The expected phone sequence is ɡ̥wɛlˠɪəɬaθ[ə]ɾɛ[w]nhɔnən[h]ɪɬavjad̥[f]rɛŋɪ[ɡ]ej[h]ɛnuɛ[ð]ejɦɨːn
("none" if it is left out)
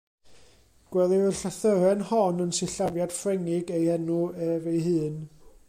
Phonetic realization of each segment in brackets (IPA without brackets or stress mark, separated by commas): ə, none, s, f, ɡ, h, v